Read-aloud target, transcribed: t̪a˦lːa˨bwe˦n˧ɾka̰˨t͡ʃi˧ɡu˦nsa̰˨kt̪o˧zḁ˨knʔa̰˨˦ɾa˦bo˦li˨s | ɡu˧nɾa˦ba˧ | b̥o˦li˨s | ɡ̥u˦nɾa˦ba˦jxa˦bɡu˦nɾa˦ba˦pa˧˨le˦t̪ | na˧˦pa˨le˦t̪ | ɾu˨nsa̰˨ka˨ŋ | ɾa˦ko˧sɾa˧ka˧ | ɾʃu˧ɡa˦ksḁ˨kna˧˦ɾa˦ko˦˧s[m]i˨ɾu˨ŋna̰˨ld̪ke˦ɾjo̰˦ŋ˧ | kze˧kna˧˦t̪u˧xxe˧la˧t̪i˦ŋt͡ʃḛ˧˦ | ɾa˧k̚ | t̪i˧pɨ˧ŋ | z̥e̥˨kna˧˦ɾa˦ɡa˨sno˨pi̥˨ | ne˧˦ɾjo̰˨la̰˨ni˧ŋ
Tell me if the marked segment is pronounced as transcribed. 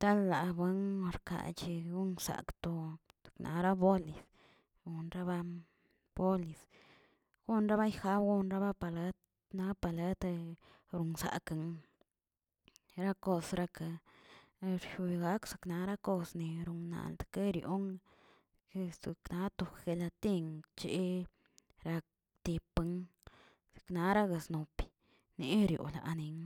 no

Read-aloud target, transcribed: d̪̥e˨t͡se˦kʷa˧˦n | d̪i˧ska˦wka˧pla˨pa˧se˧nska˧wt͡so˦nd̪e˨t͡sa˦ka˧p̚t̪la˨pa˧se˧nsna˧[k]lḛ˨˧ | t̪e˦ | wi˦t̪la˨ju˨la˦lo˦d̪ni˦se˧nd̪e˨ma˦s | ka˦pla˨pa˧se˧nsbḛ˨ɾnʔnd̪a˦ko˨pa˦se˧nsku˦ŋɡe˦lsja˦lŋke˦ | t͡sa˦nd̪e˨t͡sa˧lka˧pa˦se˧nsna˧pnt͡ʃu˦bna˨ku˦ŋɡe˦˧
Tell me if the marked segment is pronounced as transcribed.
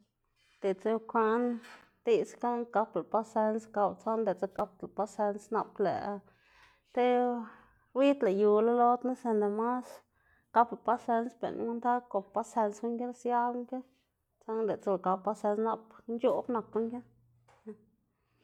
no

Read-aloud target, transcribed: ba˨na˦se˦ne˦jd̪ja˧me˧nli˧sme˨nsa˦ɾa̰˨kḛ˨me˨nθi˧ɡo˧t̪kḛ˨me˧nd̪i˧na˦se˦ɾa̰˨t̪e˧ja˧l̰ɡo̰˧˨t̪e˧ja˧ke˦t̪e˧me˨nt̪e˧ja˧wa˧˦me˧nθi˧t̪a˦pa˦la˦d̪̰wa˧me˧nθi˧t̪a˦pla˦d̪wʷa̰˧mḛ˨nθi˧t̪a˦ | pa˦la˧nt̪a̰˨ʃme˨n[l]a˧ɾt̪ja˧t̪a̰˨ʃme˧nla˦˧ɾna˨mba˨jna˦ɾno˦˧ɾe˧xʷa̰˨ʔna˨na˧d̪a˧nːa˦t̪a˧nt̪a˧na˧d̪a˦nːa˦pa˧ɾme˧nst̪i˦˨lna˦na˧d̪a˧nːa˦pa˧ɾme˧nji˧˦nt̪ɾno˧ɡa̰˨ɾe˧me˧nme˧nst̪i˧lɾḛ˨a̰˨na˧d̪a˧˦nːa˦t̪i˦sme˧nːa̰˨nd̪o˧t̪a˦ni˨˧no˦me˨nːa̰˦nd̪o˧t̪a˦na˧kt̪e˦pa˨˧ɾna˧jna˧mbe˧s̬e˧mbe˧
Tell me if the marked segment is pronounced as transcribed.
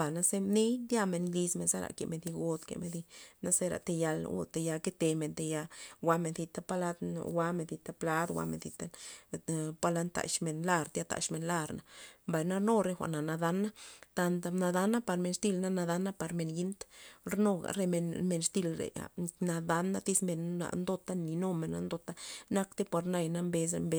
yes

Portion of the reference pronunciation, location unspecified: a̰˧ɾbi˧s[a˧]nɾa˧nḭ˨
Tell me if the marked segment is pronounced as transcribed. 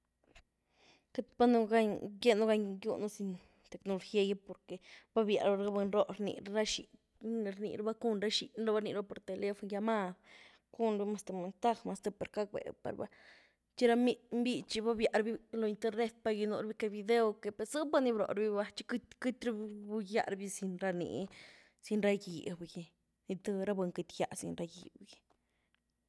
no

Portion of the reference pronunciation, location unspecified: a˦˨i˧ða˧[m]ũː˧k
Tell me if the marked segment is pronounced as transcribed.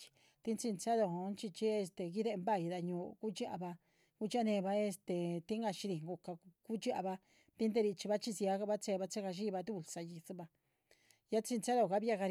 no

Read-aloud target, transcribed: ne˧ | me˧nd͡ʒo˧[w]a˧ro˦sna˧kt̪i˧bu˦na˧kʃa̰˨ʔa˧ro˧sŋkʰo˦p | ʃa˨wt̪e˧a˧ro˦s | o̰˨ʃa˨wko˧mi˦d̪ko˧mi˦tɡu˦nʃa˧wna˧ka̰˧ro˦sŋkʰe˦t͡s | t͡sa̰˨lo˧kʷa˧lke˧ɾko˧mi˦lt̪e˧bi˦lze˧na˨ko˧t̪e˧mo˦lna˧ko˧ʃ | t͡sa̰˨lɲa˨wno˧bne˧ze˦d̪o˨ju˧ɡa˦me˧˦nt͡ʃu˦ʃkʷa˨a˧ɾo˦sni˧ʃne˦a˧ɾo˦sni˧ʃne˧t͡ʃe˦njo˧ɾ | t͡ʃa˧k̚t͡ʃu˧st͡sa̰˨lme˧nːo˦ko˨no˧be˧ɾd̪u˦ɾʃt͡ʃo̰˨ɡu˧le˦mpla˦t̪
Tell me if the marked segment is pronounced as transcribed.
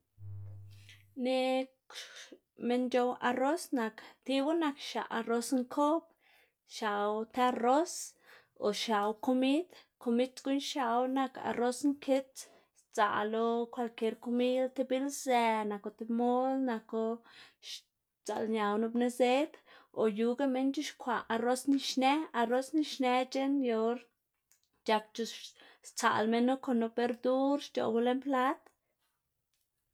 yes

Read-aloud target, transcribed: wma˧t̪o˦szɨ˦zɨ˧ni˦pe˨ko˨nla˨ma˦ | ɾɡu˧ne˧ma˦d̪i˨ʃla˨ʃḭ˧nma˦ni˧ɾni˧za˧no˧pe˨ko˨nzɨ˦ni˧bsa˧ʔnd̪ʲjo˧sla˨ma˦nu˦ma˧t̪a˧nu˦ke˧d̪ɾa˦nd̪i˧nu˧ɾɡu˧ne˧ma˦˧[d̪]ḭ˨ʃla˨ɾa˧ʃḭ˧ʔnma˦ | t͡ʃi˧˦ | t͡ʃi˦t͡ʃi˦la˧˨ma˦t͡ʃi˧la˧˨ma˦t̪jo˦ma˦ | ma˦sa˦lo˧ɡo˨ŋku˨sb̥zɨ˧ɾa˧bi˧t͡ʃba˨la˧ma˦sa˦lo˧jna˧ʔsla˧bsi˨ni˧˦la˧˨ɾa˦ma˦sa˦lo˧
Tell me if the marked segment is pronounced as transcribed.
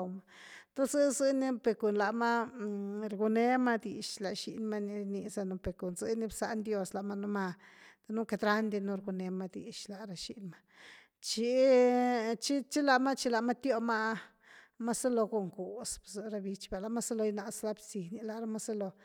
yes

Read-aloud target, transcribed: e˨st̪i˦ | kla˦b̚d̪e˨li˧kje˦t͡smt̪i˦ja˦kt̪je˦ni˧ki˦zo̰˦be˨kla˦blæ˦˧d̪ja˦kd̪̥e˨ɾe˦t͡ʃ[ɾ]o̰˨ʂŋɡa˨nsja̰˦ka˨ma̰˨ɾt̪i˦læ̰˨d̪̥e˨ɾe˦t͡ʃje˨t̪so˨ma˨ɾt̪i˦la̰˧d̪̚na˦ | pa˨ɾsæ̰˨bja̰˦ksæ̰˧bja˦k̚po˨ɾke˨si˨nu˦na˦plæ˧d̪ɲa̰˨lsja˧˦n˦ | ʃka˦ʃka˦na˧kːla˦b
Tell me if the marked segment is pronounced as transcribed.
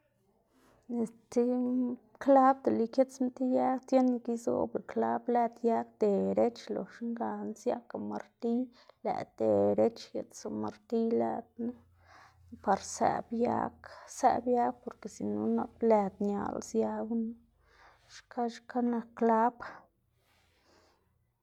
no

